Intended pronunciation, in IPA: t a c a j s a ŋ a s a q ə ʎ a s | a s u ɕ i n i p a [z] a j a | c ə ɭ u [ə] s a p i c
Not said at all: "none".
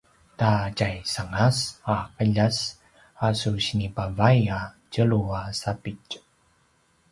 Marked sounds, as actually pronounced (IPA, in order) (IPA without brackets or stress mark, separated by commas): v, a